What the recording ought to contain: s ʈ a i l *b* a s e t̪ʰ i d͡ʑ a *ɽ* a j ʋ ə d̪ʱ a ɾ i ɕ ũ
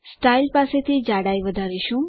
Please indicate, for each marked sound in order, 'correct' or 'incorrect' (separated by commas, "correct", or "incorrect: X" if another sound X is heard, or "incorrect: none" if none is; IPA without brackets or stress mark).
incorrect: p, correct